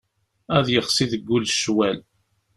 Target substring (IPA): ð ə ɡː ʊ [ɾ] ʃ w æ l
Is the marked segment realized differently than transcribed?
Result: yes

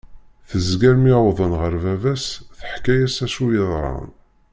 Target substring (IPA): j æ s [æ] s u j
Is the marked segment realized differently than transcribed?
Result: no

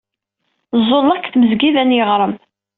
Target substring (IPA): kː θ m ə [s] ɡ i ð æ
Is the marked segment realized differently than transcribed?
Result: yes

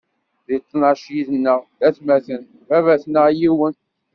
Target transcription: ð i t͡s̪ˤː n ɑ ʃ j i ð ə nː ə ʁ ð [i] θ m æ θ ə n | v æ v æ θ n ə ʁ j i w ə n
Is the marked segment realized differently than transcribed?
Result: yes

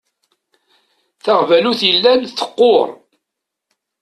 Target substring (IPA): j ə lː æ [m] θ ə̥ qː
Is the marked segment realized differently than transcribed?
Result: yes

